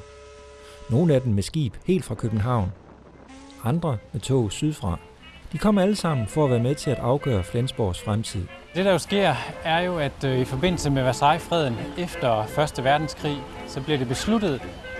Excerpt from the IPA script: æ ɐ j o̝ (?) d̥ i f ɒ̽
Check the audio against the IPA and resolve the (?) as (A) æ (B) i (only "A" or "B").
A